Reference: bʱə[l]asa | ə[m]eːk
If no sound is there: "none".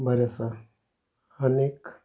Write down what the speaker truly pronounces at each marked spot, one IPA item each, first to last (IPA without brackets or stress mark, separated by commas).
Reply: ɾ, n